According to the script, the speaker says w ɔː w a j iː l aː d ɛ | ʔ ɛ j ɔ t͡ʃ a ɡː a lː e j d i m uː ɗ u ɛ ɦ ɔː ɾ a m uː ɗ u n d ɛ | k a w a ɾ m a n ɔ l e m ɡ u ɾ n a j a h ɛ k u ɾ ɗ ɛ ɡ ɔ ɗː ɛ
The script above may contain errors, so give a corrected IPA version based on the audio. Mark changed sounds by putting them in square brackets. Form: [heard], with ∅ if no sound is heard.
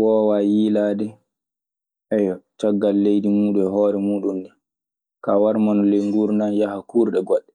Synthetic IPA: w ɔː w a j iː l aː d ɛ | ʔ ɛ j ɔ t͡ʃ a ɡː a lː e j d i m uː ɗ u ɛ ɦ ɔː ɾ [ɛ] m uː ɗ u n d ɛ | k a w a ɾ m a n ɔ l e [ŋ] ɡ u ɾ n a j a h [a] k u ɾ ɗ ɛ ɡ ɔ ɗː ɛ